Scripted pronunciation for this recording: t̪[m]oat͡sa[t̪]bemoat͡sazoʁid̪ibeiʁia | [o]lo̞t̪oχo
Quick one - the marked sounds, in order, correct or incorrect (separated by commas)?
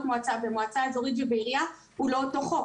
correct, incorrect, incorrect